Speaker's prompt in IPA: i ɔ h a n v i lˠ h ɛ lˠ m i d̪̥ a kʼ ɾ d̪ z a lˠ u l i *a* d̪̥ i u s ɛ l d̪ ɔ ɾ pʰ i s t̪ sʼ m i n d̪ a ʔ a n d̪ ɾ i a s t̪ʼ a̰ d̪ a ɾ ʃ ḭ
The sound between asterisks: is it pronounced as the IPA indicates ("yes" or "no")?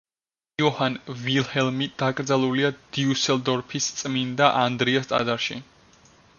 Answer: yes